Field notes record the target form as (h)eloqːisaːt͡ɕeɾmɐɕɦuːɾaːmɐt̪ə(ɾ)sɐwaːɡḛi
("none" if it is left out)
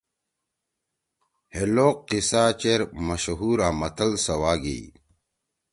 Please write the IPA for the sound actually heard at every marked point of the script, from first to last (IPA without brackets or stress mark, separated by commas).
h, l